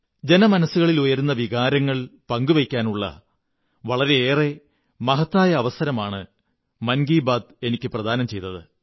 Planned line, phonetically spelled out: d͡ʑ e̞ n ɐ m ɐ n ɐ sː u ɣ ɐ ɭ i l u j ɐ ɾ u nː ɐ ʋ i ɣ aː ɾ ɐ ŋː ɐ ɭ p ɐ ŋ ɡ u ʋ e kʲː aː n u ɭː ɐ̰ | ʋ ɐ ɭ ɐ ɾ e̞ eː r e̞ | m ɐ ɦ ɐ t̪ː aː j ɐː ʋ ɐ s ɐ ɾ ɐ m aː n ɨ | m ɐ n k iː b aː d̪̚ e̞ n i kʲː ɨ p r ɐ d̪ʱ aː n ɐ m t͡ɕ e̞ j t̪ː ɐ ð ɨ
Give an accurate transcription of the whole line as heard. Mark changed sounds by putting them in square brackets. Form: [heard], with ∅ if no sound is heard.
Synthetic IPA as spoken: d͡ʑ e̞ n ɐ m ɐ n ɐ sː u ɣ ɐ ɭ i l u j ɐ ɾ u nː ɐ ʋ i ɣ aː ɾ ɐ ŋː ɐ ɭ p ɐ ŋ ɡ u ʋ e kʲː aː n u ɭː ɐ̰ | ʋ ɐ ɭ ɐ ɾ e̞ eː r e̞ | m ɐ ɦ ɐ t̪ː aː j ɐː ʋ ɐ s ɐ ɾ ɐ m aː [ɳ] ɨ | m ɐ n [ɡ] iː b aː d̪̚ e̞ n i kʲː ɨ p r ɐ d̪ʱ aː n ɐ m t͡ɕ e̞ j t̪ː ɐ ð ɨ

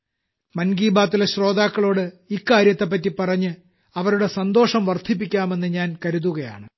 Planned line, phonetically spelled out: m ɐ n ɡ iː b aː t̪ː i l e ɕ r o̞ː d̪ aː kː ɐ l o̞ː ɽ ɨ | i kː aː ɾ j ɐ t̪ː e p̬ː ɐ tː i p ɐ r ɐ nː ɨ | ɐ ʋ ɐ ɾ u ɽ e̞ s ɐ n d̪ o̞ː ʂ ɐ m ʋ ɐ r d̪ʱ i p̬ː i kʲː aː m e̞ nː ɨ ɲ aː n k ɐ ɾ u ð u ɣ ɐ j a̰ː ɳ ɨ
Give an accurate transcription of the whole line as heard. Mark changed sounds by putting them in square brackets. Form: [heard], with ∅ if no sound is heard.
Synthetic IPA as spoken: m ɐ n ɡ iː b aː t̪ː i l e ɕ r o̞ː d̪ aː kː ɐ [ɭ] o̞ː ɽ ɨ | i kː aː ɾ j ɐ t̪ː e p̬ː ɐ tː i p ɐ r ɐ [ɲː] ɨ | ɐ ʋ ɐ ɾ u ɽ e̞ s ɐ n d̪ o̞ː ʂ ɐ m ʋ ɐ r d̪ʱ i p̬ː i kʲː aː m e̞ nː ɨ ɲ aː n k ɐ ɾ u ð u ɣ ɐ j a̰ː ɳ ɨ

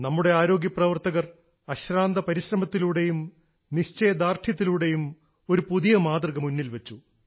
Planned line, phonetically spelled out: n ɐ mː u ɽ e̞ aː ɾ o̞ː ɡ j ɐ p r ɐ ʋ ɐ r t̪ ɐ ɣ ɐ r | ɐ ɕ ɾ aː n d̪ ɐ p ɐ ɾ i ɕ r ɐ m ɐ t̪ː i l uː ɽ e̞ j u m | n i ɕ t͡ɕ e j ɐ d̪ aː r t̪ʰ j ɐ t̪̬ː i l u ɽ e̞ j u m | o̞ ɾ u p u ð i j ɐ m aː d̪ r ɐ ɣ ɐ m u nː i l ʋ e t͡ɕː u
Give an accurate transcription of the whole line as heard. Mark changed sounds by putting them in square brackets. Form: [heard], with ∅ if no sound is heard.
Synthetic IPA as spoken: n ɐ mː u ɽ e̞ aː ɾ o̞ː ɡ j ɐ p r ɐ ʋ ɐ r t̪ ɐ ɣ ɐ r | ɐ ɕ ɾ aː n d̪ ɐ p ɐ ɾ i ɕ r ɐ m ɐ t̪ː i l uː ɽ e̞ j u m | n i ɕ t͡ɕ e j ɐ d̪ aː r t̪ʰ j ɐ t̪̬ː i l u ɽ e̞ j u m | o̞ ɾ u p u ð i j ɐ m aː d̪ r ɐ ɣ ɐ m u nː i l ʋ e t͡ɕː u

